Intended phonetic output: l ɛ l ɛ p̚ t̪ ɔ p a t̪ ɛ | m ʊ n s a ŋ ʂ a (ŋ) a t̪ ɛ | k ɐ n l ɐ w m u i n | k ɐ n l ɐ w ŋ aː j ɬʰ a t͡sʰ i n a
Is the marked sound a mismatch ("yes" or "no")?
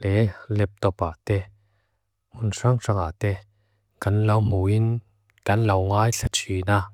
no